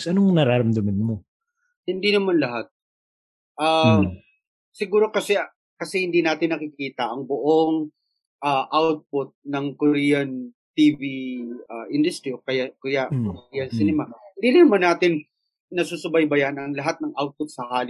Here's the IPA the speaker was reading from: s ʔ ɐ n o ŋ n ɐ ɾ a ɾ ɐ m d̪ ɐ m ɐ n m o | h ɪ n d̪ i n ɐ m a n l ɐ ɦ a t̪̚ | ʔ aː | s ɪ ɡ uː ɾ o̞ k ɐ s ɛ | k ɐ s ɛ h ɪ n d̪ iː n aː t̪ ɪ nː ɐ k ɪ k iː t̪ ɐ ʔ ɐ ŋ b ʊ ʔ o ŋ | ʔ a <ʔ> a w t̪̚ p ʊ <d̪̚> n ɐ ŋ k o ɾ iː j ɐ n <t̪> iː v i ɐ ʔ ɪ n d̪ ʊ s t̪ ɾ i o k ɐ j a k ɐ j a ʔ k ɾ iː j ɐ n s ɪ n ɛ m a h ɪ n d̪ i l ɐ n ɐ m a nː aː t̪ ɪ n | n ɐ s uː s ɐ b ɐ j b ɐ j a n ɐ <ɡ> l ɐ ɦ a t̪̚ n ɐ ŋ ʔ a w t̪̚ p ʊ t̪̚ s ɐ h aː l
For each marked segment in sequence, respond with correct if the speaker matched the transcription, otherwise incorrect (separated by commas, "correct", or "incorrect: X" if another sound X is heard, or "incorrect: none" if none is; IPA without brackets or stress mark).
correct, incorrect: t̪̚, correct, incorrect: ŋ